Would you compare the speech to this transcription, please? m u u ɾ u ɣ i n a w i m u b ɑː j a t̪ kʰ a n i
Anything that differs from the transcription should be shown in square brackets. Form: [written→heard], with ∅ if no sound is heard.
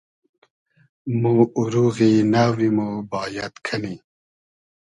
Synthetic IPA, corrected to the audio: m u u ɾ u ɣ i n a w i m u b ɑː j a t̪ kʰ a n i